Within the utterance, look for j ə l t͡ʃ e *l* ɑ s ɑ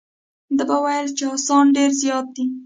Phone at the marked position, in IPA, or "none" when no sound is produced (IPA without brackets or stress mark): none